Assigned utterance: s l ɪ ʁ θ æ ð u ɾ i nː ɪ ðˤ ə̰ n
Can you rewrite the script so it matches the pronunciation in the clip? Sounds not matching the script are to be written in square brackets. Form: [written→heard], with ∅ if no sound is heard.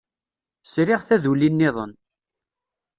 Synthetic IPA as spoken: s [l→ɾ] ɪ ʁ θ æ ð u [ɾ→l] i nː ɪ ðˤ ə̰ n